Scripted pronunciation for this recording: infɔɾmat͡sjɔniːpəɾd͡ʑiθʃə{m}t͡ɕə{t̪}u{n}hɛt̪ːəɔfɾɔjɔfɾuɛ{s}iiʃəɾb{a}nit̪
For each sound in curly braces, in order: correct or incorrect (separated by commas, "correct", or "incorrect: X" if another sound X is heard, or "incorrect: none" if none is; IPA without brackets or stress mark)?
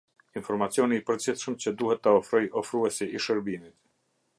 correct, incorrect: d̪, incorrect: none, correct, incorrect: i